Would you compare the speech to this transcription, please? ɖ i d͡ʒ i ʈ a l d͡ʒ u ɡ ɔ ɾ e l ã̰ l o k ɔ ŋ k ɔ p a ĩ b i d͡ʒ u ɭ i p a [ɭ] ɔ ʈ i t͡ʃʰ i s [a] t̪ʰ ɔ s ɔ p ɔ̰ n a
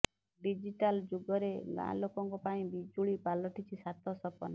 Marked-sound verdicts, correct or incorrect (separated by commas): incorrect, correct